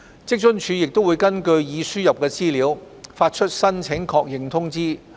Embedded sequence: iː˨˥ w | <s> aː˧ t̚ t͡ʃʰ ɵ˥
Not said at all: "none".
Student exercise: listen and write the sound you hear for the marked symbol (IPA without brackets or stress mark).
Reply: f